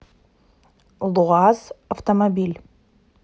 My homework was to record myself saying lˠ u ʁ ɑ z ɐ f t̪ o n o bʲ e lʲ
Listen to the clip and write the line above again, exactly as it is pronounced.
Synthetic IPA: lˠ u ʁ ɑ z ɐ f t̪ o m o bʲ i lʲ